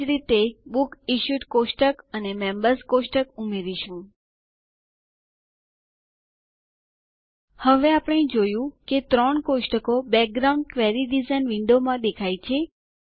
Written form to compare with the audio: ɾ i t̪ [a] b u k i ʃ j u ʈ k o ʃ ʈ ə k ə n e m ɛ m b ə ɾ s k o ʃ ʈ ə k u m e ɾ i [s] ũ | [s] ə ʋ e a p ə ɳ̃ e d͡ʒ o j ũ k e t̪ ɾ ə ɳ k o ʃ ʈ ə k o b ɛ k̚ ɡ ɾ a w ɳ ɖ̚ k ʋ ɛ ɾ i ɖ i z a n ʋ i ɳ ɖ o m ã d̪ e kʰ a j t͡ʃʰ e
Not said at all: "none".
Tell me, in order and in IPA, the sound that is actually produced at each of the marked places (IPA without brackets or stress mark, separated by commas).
e, ʃ, h